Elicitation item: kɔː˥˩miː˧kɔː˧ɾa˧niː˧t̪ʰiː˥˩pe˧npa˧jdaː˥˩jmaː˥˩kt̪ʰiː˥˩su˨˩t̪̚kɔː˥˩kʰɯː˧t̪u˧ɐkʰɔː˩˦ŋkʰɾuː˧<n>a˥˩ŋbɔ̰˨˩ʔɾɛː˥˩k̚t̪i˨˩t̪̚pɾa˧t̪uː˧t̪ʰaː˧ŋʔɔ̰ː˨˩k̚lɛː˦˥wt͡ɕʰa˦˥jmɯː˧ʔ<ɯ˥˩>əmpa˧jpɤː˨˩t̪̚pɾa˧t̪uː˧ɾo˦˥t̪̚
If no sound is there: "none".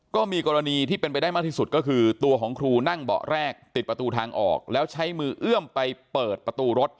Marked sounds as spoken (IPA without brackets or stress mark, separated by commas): n, ɯ˥˩